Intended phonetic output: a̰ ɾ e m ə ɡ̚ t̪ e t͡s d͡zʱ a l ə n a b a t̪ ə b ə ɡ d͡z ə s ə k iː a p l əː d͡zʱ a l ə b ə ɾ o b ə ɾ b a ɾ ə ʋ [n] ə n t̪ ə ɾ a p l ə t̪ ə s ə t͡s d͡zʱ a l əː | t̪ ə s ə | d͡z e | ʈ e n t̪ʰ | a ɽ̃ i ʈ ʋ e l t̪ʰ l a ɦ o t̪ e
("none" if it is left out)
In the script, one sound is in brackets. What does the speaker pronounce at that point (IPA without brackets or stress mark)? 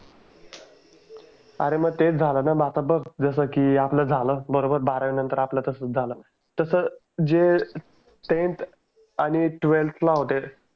n